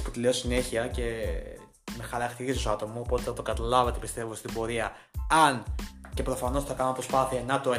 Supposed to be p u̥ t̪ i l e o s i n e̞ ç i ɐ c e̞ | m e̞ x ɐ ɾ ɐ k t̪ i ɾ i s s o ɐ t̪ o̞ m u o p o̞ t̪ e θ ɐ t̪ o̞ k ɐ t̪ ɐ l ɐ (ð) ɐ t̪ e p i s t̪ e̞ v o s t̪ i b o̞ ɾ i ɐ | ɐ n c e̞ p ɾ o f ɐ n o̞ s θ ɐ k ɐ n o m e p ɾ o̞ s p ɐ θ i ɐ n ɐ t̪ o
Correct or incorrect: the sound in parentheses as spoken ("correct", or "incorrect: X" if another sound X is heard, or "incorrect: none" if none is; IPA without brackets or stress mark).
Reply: incorrect: v